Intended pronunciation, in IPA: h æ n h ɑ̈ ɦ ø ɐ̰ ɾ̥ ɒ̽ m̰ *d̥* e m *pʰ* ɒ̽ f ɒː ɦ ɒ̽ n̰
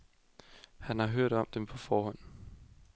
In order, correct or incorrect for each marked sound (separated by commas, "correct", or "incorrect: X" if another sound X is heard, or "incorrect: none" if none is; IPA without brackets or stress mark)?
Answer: correct, correct